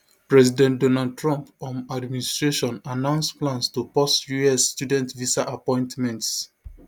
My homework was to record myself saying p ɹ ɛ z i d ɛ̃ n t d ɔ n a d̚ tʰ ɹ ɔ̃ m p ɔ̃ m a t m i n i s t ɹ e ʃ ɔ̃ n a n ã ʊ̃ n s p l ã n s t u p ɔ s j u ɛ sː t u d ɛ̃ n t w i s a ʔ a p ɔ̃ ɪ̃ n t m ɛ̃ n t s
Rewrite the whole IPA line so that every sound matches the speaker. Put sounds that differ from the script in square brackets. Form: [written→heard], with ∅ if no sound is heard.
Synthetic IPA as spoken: p ɹ ɛ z i d ɛ̃ n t d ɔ n a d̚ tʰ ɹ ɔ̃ m p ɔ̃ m a [t→d] m i n i s t ɹ e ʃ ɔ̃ n a n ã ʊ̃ n s p l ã n s t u p ɔ s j u ɛ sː t u d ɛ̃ n t [w→v] i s a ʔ a p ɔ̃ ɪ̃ n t m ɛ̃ n t s